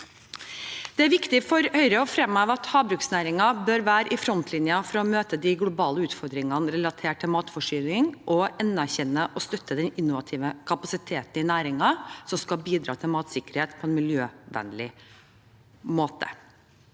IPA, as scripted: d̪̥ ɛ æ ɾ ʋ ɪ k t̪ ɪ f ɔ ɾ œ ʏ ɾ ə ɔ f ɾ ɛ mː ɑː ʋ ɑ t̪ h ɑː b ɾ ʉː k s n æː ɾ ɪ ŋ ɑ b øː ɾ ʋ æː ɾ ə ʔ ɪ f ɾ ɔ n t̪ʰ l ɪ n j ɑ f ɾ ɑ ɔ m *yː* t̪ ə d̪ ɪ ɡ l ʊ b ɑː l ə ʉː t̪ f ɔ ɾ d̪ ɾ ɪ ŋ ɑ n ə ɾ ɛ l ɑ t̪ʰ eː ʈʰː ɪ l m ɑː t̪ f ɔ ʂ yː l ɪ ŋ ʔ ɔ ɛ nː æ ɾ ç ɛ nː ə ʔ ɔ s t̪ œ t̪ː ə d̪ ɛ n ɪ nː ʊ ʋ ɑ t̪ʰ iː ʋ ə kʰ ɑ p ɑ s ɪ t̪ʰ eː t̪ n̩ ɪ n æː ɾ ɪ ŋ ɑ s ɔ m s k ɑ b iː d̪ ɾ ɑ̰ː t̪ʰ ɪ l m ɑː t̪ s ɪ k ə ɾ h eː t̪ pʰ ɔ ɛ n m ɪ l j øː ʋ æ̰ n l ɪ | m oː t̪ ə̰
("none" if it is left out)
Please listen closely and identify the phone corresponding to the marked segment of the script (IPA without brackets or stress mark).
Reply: øː